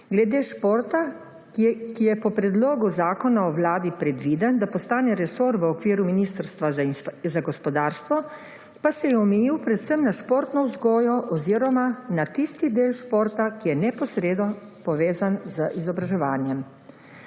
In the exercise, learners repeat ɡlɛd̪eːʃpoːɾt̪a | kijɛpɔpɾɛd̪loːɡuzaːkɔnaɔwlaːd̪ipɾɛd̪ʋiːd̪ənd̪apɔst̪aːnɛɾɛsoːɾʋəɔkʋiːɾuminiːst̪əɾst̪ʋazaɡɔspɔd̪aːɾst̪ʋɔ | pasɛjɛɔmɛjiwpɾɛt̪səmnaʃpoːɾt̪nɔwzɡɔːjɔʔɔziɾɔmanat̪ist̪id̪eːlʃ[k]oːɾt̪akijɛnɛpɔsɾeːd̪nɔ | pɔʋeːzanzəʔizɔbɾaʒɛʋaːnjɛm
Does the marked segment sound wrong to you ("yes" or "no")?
yes